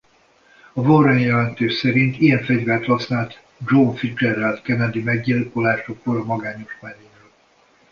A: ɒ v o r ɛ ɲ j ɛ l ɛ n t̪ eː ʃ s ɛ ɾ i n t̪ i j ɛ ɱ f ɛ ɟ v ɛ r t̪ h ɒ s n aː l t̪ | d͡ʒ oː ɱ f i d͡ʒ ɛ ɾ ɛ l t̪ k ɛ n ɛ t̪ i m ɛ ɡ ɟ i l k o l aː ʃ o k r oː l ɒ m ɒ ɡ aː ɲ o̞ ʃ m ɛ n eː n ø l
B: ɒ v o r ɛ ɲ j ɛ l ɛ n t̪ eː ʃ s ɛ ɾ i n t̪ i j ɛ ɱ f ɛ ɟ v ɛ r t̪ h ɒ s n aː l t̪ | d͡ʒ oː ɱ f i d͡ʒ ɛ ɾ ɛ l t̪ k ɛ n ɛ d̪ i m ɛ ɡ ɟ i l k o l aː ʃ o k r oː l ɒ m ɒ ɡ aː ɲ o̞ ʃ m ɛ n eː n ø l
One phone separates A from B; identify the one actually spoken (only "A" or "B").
B